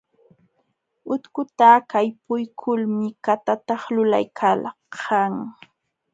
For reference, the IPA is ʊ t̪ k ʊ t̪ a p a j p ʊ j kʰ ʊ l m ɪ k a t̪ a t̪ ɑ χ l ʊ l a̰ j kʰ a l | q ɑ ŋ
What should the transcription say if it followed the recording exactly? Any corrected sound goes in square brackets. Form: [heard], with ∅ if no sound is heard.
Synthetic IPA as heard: ʊ t̪ k ʊ t̪ a [k] a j p ʊ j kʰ ʊ l m ɪ k a t̪ a t̪ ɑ χ l ʊ l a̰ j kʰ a l | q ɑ ŋ